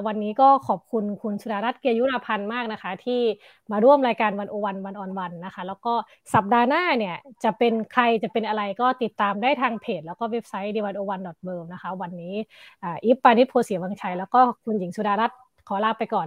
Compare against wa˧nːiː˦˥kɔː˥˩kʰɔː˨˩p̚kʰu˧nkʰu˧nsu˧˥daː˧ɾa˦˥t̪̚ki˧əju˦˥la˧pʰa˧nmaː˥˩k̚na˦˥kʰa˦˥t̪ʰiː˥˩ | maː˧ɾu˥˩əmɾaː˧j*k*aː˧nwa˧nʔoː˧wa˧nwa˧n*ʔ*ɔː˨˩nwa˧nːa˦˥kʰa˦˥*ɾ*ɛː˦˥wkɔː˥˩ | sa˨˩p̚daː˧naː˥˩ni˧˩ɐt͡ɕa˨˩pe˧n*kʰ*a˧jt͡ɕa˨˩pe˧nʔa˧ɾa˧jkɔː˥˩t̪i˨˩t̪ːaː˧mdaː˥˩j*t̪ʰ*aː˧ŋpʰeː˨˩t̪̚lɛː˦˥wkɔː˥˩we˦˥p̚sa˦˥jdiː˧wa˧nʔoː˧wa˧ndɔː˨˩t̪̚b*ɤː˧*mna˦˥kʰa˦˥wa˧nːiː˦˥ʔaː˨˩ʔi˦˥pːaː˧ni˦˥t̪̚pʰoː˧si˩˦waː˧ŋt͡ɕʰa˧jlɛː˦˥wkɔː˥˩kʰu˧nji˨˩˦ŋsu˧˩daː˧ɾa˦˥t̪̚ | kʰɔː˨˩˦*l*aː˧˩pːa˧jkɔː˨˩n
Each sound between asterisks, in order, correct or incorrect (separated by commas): correct, correct, incorrect, correct, correct, correct, correct